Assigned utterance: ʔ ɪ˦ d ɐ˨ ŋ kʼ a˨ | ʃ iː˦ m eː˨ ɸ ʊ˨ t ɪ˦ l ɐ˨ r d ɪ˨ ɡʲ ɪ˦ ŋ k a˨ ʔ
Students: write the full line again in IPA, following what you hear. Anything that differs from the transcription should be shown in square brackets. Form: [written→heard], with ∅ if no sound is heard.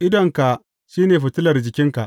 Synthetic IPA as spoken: ʔ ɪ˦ d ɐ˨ ŋ [kʼ→k] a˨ | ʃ iː˦ [m→n] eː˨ ɸ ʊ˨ t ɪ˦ l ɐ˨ r [d→d͡ʒ] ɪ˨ [ɡʲ→kʲ] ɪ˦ ŋ k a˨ ʔ

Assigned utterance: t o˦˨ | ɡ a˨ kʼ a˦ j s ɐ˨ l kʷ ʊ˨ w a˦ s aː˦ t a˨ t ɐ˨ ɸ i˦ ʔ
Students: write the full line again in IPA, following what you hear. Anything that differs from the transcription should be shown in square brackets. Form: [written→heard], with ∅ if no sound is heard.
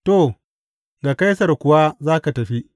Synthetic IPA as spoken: t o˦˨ | ɡ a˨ [kʼ→k] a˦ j s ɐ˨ [l→r] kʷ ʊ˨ w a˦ [s→z] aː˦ [t→k] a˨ t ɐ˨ ɸ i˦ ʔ

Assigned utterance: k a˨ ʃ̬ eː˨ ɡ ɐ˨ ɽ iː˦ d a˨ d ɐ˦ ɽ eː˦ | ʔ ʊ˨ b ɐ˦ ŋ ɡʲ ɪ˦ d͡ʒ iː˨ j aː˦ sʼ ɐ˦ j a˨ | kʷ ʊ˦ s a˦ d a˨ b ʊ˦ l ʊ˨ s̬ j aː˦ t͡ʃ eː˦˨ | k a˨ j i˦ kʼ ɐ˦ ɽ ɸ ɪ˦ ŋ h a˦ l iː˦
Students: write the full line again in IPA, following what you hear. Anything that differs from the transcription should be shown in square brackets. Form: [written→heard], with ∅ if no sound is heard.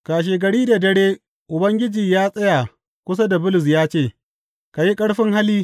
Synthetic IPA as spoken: k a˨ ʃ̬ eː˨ ɡ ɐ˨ ɽ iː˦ d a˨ d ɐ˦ ɽ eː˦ | ʔ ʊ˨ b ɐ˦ ŋ ɡʲ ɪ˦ d͡ʒ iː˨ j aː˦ sʼ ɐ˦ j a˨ | kʷ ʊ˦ s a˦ d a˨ b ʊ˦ l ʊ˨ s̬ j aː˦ t͡ʃ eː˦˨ | k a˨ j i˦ kʼ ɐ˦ ɽ ɸ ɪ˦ ŋ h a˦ l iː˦

